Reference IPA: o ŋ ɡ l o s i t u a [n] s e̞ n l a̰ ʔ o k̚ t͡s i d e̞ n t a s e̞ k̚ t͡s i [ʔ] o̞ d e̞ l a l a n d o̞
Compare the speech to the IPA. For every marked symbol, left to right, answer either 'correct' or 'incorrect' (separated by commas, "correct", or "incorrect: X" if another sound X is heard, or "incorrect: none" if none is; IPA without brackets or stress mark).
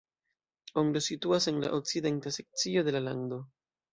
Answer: incorrect: none, incorrect: none